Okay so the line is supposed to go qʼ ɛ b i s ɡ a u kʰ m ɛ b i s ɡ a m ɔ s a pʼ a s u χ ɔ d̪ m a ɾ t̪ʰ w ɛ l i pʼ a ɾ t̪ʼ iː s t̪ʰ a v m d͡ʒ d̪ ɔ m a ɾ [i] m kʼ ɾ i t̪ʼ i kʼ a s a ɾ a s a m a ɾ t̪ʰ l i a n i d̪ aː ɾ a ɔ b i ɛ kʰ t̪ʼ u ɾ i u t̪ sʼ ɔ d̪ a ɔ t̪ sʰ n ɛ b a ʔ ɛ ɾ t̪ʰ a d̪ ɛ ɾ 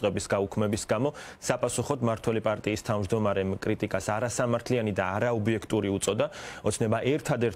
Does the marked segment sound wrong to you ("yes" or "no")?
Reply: yes